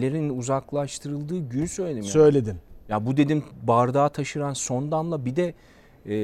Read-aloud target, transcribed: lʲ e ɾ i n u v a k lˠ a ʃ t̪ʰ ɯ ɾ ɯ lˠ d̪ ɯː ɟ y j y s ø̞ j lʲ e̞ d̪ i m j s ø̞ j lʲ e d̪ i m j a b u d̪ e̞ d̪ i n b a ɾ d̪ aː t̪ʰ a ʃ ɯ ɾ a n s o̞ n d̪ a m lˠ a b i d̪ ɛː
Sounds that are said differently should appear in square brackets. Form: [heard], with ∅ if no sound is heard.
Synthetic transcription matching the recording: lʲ e ɾ i n u [z] a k lˠ a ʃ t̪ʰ ɯ ɾ ɯ lˠ d̪ ɯː ɟ y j y s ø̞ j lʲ e̞ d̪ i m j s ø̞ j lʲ e d̪ i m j a b u d̪ e̞ d̪ i [m] b a ɾ d̪ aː t̪ʰ a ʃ ɯ ɾ a n s o̞ n d̪ a m lˠ a b i d̪ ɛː